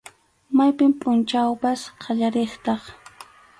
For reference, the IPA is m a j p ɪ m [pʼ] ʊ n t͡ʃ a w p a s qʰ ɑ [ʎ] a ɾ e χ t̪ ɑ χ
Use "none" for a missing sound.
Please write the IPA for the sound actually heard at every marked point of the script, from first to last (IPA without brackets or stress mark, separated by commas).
pʼ, ʎ